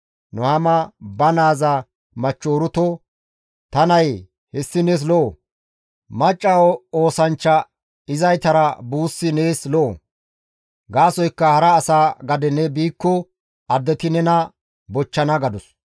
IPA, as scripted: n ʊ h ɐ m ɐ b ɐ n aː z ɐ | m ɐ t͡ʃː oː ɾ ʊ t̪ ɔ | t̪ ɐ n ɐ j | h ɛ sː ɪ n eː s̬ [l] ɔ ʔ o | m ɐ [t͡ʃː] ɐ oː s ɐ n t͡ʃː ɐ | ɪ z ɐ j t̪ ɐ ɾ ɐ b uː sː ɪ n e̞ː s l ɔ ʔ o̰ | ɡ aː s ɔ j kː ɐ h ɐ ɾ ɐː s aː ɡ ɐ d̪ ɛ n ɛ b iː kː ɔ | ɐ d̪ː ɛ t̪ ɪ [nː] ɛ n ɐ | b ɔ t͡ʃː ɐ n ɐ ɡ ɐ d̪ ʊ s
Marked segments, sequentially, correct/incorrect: correct, incorrect: t͡ʃʼː, incorrect: n

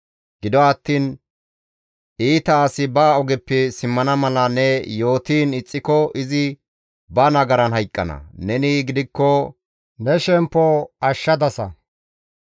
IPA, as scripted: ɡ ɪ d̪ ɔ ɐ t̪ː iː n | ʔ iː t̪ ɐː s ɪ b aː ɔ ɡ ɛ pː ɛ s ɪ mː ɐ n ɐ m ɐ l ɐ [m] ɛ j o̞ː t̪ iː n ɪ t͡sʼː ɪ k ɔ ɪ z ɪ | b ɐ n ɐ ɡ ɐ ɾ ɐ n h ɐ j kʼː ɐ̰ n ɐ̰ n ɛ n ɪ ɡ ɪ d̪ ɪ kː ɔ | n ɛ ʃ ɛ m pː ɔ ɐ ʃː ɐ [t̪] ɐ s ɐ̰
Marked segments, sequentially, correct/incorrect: incorrect: n, incorrect: d̪

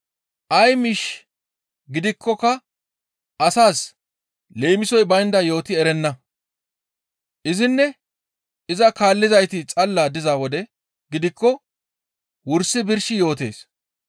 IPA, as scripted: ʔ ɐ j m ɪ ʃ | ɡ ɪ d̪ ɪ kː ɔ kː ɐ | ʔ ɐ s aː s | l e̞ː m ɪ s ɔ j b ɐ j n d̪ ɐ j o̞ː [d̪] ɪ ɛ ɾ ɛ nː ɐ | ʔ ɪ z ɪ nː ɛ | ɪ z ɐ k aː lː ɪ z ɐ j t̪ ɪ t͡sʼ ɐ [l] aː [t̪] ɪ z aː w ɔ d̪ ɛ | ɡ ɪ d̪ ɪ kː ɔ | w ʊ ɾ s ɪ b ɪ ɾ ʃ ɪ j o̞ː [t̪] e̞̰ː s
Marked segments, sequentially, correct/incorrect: incorrect: t̪, incorrect: lː, incorrect: d̪, correct

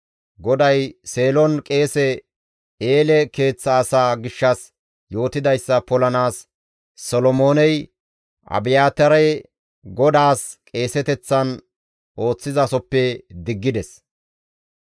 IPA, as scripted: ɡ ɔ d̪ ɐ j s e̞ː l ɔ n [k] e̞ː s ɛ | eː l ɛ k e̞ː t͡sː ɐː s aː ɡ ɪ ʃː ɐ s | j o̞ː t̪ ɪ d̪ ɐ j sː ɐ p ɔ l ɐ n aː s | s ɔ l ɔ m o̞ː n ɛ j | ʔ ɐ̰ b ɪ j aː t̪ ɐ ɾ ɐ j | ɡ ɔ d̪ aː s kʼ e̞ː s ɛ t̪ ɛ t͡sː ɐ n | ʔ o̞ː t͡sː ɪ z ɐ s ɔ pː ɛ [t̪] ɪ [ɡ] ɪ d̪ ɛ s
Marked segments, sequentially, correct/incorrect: incorrect: kʼ, incorrect: d̪, incorrect: ɡː

